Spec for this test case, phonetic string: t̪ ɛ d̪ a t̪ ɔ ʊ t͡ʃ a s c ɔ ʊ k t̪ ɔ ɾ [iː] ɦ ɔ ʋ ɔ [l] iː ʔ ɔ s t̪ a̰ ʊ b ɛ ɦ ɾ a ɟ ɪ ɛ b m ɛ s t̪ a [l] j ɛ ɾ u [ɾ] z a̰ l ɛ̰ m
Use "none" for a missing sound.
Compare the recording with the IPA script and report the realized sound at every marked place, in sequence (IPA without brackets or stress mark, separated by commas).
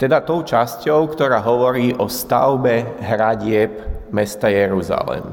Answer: aː, ɾ, none, none